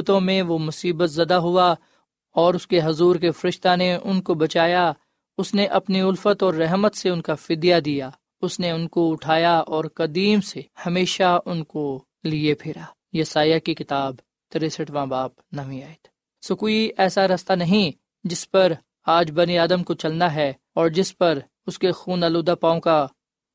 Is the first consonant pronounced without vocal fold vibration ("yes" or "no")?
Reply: yes